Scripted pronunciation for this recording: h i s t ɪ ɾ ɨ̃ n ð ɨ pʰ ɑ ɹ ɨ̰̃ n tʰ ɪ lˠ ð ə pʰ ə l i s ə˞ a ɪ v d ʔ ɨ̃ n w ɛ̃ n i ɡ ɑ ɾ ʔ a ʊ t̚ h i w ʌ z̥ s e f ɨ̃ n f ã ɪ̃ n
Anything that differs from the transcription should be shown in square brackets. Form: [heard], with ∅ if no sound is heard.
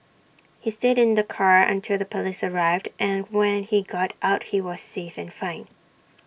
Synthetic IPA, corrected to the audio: h i s t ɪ ɾ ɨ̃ n ð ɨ [kʰ] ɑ ɹ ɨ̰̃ n tʰ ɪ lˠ ð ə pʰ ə l i s ə˞ a ɪ v d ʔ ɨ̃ n w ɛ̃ n i ɡ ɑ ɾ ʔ a ʊ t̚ h i w ʌ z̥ s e f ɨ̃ n f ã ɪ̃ n